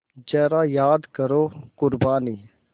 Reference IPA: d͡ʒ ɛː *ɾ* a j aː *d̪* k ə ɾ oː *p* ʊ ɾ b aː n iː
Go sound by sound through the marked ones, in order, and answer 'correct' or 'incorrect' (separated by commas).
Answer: correct, correct, incorrect